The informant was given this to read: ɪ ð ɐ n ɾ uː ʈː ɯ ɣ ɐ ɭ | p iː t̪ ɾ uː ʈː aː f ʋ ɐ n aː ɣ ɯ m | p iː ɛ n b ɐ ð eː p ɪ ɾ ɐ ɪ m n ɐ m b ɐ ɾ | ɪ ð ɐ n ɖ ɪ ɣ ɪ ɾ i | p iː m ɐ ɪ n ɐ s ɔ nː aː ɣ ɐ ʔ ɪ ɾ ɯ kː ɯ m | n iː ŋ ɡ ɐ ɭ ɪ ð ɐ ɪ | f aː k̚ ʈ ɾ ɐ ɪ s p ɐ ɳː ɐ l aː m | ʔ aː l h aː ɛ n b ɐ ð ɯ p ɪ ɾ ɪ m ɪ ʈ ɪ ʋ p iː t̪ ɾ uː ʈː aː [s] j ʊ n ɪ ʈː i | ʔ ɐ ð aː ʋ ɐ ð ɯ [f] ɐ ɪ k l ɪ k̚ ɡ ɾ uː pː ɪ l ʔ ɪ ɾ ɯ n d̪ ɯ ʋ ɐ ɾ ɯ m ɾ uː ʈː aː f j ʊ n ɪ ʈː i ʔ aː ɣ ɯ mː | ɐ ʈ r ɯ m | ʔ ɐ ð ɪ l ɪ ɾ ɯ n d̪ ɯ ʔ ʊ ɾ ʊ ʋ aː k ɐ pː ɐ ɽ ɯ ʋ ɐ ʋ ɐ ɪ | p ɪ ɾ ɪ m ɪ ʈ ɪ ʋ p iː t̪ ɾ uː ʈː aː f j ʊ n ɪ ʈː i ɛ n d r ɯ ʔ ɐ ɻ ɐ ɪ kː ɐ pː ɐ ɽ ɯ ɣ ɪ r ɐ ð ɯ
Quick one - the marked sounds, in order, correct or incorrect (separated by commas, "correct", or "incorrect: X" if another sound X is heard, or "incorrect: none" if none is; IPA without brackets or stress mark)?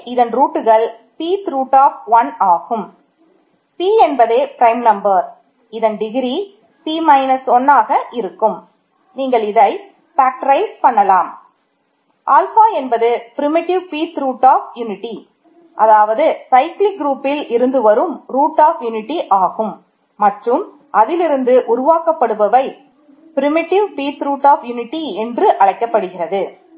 incorrect: f, incorrect: s